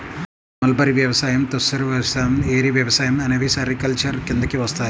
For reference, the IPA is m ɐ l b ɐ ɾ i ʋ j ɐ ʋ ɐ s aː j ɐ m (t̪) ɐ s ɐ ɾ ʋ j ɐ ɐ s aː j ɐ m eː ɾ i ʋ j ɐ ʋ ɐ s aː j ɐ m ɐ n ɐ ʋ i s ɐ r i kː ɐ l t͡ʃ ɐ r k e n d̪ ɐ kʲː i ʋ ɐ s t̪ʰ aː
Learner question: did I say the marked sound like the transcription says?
yes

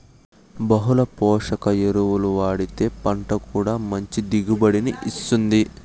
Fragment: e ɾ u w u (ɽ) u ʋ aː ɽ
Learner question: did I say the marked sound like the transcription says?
no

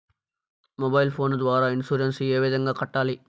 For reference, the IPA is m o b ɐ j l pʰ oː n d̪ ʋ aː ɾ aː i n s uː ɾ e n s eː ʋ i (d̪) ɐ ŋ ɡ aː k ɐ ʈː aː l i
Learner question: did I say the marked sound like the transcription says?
yes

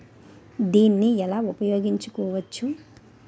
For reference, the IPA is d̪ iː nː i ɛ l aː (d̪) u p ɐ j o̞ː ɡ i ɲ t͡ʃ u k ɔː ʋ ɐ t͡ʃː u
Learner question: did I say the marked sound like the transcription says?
no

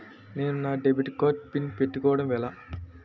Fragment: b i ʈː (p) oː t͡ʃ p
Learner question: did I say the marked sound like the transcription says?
no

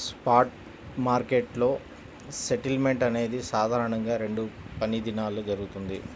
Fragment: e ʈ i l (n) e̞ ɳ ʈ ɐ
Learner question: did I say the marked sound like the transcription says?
no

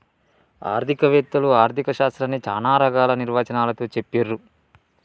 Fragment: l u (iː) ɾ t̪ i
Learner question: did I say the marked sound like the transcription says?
no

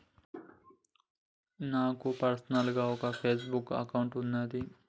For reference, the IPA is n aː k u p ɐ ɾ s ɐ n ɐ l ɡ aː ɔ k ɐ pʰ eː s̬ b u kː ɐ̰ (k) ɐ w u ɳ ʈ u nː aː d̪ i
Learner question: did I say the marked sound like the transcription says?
yes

